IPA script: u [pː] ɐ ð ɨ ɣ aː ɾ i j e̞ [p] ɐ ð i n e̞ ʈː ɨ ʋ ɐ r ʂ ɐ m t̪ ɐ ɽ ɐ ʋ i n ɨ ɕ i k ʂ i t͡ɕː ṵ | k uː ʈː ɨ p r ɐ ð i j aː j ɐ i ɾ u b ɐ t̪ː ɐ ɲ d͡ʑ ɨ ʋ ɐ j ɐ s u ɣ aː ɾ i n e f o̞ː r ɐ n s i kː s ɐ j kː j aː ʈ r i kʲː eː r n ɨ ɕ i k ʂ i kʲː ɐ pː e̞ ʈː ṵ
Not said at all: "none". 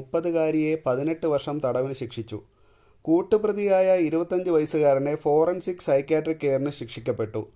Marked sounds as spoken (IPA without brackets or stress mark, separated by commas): pː, p